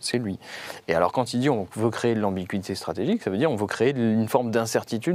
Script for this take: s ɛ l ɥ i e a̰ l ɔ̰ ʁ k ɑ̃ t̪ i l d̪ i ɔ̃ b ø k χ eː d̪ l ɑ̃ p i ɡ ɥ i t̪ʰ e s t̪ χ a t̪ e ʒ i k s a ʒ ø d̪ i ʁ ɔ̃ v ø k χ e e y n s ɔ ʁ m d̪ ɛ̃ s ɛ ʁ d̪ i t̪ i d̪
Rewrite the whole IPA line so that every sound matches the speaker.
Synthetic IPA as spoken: s ɛ l ɥ i e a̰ l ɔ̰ ʁ k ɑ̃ t̪ i l d̪ i ɔ̃ v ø k χ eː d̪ l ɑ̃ b i ɡ ɥ i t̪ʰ e s t̪ χ a t̪ e ʒ i k s a v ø d̪ i ʁ ɔ̃ v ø k χ e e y n f ɔ ʁ m d̪ ɛ̃ s ɛ ʁ t̪ i t̪ y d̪